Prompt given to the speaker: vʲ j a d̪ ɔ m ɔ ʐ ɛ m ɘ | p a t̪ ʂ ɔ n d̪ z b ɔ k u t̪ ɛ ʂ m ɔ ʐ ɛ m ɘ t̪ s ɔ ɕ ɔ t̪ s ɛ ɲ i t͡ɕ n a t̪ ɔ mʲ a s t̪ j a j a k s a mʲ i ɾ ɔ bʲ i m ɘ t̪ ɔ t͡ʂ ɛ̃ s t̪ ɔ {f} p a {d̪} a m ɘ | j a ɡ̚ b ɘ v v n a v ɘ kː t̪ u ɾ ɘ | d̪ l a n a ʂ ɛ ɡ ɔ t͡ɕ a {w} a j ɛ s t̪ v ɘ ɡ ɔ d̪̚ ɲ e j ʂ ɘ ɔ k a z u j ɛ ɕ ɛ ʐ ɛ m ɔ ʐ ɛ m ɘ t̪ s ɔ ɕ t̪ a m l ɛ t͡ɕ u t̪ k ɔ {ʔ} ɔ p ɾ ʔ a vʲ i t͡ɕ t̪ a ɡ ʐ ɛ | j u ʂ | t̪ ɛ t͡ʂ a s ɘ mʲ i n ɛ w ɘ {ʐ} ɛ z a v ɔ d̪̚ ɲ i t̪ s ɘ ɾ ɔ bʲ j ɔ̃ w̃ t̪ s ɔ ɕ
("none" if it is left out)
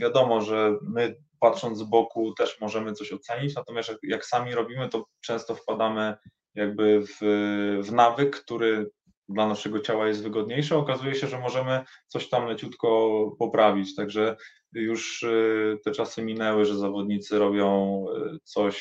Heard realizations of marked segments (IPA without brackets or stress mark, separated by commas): f, d̪, w, p, ʐ